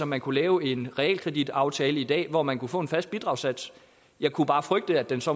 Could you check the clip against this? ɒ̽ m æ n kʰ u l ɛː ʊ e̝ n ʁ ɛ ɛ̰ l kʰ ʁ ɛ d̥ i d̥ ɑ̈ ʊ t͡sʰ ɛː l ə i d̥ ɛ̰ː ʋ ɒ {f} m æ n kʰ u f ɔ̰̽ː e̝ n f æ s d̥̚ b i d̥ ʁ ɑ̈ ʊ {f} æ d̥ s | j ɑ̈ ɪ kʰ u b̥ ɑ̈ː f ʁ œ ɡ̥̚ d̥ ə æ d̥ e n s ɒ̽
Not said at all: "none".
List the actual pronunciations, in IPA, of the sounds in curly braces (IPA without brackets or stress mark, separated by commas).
none, s